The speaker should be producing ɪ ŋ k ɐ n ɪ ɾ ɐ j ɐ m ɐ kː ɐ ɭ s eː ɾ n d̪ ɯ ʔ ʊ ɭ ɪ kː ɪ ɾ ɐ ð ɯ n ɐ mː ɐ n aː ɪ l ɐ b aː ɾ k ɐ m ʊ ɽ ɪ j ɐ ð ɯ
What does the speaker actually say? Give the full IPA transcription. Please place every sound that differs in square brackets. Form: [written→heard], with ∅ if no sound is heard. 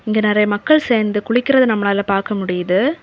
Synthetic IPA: ɪ ŋ [k→ɡ] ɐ n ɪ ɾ ɐ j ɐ m ɐ kː ɐ ɭ s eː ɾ n d̪ ɯ [ʔ→k] ʊ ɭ ɪ kː ɪ ɾ ɐ ð ɯ n ɐ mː ɐ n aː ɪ l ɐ [b→p] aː ɾ k ɐ m ʊ ɽ ɪ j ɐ ð ɯ